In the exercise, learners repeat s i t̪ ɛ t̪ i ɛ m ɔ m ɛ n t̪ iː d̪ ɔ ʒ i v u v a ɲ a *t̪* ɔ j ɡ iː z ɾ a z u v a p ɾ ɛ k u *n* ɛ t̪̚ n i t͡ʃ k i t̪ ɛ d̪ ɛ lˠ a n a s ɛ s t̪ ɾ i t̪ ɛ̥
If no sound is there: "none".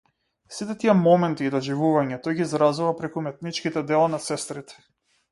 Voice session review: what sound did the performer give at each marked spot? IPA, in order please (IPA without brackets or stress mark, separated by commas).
t̪, m